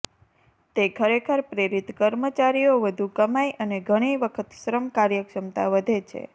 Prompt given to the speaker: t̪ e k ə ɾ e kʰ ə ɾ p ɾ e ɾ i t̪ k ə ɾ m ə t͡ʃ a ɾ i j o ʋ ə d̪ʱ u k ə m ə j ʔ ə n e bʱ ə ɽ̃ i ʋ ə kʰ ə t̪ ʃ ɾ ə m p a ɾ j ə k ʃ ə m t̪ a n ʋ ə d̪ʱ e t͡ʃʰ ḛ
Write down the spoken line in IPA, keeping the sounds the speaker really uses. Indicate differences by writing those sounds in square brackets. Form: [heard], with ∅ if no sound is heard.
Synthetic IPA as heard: t̪ e [kʰ] ə ɾ e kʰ ə ɾ p ɾ e ɾ i t̪ k ə ɾ m ə t͡ʃ a ɾ i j o ʋ ə d̪ʱ u k ə m [a] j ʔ ə n e [ɡʱ] ə ɽ̃ i ʋ ə kʰ ə t̪ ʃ ɾ ə m [k] a ɾ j ə k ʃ ə m t̪ a [∅] ʋ ə d̪ʱ e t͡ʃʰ ḛ